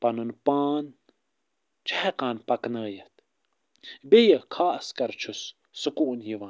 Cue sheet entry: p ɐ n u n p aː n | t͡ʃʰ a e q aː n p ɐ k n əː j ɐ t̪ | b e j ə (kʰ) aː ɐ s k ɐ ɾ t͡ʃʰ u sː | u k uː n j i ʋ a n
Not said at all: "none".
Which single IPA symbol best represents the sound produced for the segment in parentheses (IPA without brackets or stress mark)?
kʰ